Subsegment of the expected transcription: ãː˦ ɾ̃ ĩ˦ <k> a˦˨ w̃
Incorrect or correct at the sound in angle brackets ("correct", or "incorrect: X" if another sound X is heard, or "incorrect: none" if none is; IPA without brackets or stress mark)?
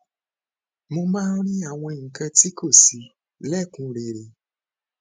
incorrect: none